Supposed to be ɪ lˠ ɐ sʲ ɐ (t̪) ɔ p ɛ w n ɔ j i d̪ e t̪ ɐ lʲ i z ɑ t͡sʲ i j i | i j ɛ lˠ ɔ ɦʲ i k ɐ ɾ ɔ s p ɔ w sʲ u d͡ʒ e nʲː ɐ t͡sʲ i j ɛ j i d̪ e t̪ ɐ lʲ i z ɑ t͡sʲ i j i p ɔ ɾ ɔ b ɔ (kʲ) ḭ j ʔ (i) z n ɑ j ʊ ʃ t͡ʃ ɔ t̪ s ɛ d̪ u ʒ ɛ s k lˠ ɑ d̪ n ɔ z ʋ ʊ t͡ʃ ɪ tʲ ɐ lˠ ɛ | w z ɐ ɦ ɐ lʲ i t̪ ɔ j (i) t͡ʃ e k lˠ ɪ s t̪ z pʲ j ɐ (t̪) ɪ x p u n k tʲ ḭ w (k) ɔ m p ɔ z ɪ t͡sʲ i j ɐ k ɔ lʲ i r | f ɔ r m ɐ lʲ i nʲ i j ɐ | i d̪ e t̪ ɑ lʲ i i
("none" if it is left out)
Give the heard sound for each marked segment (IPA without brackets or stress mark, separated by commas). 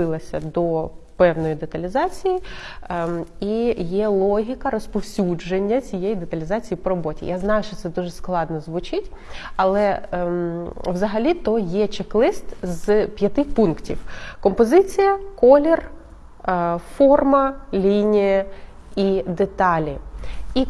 d̪, tʲ, a, ɛ, t̪, k